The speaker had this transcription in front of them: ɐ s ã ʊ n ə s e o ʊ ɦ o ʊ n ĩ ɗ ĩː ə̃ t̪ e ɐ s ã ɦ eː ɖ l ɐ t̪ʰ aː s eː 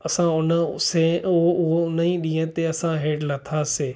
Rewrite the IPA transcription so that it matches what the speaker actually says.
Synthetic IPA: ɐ s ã ʊ n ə s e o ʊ ɦ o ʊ n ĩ ɗ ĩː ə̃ t̪ e ɐ s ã ɦ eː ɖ l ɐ t̪ʰ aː s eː

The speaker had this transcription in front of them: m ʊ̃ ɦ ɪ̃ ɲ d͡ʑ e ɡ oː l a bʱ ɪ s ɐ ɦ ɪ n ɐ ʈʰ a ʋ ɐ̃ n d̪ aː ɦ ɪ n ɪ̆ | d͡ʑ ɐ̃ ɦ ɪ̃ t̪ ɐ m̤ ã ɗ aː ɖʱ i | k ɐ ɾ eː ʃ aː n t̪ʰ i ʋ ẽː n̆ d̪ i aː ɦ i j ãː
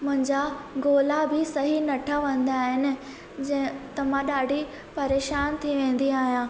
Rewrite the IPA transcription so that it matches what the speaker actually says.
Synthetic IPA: m ʊ̃ ɦ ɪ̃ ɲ d͡ʑ a ɡ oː l a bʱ ɪ s ɐ ɦ i n ɐ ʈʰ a ʋ ɐ̃ n d̪ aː ɦ ɪ n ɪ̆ | d͡ʑ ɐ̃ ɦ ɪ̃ t̪ ɐ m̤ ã ɗ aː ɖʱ i | p ɐ ɾ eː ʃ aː n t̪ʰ i ʋ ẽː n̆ d̪ i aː ɦ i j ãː

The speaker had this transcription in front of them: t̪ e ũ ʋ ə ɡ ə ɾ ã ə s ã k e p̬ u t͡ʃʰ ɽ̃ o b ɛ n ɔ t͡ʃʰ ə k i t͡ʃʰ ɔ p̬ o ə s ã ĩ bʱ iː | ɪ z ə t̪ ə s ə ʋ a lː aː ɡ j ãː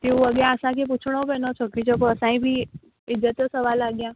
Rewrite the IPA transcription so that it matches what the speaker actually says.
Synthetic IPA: t̪ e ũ ʋ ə ɡ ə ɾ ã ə s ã k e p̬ u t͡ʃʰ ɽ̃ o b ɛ n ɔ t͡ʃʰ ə k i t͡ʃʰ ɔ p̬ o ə s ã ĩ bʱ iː | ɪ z ə t̪ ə s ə ʋ a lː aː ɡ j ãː

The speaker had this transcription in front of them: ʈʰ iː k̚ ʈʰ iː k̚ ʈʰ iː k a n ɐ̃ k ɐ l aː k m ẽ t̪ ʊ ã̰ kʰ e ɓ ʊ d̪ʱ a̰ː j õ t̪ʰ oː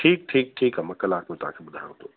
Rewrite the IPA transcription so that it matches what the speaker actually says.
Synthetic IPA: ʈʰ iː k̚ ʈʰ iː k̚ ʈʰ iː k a m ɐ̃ k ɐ l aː k m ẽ t̪ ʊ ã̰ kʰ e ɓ ʊ d̪ʱ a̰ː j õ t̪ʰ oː

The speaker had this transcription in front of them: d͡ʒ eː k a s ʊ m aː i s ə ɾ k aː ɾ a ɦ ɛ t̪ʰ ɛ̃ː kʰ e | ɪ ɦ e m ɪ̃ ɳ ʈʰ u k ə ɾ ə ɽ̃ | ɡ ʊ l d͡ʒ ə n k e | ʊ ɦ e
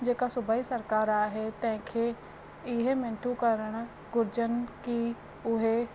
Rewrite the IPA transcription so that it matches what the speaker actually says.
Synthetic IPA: d͡ʒ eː k a s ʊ b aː i s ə ɾ k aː ɾ a ɦ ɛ t̪ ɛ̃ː kʰ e | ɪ ɦ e m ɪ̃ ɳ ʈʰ u k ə ɾ ə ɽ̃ | ɡ ʊ ɾ d͡ʒ ə n k i | ʊ ɦ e

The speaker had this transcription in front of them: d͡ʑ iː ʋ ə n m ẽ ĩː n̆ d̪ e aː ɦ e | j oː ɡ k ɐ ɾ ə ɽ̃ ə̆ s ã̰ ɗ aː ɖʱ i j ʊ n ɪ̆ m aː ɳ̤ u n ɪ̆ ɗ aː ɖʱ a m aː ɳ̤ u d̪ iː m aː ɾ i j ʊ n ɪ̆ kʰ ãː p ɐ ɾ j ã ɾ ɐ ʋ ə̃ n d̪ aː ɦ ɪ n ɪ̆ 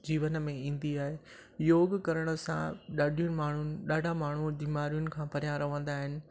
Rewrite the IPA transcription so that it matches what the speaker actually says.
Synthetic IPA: d͡ʑ iː ʋ ə n m ẽ ĩː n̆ d̪ i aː ɦ e | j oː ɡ k ɐ ɾ ə ɽ̃ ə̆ s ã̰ ɗ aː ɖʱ i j ʊ n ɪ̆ m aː ɳ̤ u n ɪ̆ ɗ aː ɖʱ a m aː ɳ̤ u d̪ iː m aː ɾ i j ʊ n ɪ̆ kʰ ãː p ɐ ɾ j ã ɾ ɐ ʋ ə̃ n d̪ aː ɦ ɪ n ɪ̆

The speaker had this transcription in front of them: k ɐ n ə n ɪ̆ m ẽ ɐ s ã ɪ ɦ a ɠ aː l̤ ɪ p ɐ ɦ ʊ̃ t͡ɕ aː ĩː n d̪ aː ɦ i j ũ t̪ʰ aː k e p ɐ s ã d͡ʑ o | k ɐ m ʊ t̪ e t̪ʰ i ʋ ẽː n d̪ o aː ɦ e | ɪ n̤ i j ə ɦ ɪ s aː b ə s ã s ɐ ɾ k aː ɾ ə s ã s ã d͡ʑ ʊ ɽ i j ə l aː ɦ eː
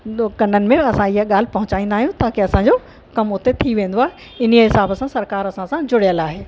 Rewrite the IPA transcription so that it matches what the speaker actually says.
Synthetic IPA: k ɐ n ə n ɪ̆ m ẽ ɐ s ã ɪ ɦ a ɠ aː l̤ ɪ p ɐ ɦ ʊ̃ t͡ɕ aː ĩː n d̪ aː ɦ i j ũ t̪ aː k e ɐ s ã d͡ʑ o | k ɐ m ʊ t̪ e t̪ʰ i ʋ ẽː n d̪ o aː ɦ e | ɪ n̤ i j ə ɦ ɪ s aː b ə s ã s ɐ ɾ k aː ɾ ɐ s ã s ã d͡ʑ ʊ ɽ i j ə l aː ɦ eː

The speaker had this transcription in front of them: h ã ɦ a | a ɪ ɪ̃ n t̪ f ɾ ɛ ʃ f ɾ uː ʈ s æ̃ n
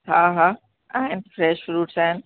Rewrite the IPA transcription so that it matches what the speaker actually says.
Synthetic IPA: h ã ɦ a | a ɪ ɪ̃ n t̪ f ɾ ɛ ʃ f ɾ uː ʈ s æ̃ n

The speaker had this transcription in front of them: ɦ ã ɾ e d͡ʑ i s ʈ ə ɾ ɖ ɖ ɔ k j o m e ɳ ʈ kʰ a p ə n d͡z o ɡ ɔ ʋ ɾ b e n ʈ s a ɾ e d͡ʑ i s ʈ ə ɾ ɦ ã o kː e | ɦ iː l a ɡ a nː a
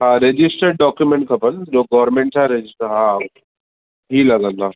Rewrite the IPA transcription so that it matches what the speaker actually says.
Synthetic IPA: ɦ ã ɾ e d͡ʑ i s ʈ ə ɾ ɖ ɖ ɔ k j u m e ɳ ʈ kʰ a p ə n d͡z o ɡ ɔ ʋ ɾ m e ɳ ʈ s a ɾ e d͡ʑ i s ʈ ə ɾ ɦ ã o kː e | ɦ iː l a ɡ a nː a

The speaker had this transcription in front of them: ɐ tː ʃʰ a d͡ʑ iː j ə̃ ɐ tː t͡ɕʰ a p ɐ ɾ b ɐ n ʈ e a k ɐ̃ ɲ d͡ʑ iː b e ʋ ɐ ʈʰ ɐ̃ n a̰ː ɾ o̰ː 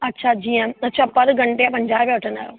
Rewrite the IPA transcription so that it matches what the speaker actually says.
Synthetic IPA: ɐ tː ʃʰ a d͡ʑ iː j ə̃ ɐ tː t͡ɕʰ a p ɐ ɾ ɡ ɐ ɳ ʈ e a p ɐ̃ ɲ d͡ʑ aː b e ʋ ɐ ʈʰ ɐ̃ n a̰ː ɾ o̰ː

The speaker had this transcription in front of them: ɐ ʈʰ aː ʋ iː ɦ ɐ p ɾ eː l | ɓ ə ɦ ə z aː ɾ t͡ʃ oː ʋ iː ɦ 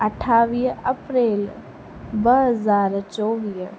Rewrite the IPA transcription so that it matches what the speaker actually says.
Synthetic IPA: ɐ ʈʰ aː ʋ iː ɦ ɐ p ɾ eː l | b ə ɦ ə z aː ɾ t͡ʃ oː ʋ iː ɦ

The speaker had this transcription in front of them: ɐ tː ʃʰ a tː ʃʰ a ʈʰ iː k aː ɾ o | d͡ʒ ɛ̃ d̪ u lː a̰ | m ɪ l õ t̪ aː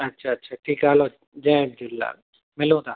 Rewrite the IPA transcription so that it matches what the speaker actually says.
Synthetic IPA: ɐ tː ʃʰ a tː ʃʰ a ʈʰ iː k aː l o | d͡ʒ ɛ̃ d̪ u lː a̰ | m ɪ l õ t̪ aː

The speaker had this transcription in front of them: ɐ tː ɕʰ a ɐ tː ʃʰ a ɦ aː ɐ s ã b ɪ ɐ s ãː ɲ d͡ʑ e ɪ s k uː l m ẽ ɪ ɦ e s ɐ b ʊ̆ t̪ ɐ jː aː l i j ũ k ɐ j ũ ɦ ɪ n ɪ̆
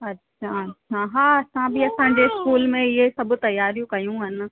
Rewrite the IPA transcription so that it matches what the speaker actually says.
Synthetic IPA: ɐ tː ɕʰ a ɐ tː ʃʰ a ɦ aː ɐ s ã b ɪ ɐ s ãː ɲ d͡ʑ e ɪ s k uː l m ẽ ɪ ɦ e s ɐ b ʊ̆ t̪ ɐ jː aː ɾ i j ũ k ɐ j ũ ɦ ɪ n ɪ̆

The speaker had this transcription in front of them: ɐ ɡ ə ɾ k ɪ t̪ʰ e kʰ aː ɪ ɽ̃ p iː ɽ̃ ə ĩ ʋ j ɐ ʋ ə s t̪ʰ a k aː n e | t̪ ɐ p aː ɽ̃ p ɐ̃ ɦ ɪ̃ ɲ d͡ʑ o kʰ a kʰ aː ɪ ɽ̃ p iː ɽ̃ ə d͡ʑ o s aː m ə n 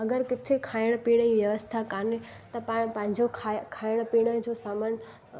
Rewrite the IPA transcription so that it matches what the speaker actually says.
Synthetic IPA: ɐ ɡ ə ɾ k ɪ t̪ʰ e kʰ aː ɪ ɽ̃ p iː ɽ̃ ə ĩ ʋ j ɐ ʋ ə s t̪ʰ a k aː n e | t̪ ɐ p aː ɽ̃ p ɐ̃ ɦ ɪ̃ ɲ d͡ʑ o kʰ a kʰ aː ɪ ɽ̃ p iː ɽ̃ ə d͡ʑ o s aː m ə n

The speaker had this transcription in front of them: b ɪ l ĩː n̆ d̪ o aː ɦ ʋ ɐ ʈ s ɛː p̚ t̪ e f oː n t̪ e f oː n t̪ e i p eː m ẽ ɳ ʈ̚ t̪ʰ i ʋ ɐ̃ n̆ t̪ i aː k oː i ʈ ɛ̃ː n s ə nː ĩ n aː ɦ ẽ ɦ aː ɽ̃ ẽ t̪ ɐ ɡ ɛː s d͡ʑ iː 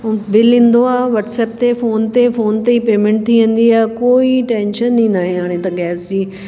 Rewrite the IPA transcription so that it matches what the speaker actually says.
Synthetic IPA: b ɪ l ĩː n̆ d̪ o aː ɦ ʋ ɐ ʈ s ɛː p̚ t̪ e f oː n t̪ e f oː n t̪ e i p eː m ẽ ɳ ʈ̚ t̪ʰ i ʋ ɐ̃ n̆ d̪ i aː k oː i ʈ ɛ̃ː n ʃ ə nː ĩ n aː ɦ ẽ ɦ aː ɽ̃ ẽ t̪ ɐ ɡ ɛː s d͡ʑ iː

